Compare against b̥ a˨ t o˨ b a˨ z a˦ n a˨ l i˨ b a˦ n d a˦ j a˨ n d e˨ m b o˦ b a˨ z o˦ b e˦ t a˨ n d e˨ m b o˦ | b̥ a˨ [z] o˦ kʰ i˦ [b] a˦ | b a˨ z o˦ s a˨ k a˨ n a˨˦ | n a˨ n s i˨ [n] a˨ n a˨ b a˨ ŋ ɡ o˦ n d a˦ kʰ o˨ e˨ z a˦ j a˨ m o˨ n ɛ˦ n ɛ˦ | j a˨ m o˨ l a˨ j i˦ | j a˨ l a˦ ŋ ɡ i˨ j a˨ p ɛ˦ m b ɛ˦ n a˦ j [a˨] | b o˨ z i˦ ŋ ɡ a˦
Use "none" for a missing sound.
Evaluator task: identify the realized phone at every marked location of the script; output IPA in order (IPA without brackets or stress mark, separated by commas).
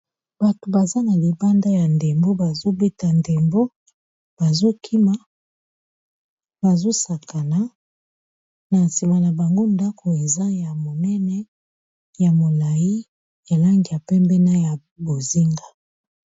z, m, m, a˨